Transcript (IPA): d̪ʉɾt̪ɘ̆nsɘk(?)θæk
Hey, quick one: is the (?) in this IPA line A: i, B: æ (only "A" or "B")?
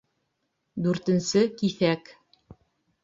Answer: A